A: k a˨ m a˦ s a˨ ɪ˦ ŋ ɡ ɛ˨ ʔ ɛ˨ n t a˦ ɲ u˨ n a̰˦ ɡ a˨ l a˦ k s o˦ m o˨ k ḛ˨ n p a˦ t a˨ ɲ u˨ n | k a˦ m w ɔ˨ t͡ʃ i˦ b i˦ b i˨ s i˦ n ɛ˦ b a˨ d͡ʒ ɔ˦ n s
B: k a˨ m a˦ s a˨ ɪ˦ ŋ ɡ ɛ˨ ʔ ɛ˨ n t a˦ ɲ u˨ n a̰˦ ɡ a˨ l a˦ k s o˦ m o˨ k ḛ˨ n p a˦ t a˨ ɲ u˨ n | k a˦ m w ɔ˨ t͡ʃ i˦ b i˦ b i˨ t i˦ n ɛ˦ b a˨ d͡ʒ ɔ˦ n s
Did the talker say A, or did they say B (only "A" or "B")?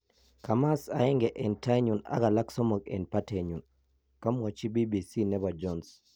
A